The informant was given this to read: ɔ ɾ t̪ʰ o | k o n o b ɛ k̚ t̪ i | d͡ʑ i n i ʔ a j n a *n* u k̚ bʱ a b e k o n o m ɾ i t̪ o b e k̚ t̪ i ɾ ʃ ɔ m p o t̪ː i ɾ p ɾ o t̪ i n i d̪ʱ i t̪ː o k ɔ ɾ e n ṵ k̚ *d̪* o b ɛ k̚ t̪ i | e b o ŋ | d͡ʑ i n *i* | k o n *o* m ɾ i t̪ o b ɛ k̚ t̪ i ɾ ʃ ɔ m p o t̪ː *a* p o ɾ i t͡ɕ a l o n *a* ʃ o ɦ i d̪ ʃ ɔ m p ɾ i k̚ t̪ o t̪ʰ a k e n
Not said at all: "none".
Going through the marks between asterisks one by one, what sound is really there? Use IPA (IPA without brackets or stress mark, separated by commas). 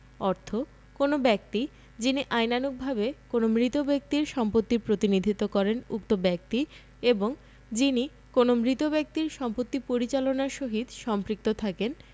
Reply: n, t̪, i, o, i, a